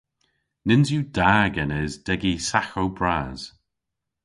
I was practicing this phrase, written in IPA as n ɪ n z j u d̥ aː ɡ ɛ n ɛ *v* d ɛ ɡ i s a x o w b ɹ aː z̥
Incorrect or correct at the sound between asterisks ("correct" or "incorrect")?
incorrect